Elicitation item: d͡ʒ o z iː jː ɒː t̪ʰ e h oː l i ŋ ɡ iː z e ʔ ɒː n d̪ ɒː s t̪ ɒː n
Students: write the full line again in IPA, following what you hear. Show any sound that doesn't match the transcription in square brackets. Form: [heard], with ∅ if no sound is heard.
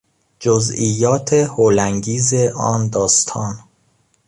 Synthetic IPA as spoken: d͡ʒ o z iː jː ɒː t̪ʰ e h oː l [æ] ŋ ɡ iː z e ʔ ɒː n d̪ ɒː s [t̪ʰ] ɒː n